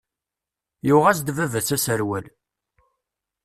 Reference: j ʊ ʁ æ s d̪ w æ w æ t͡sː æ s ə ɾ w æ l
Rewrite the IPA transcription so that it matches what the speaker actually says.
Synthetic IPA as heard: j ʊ ʁ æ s d̪ v æ v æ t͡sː æ s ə ɾ w æ l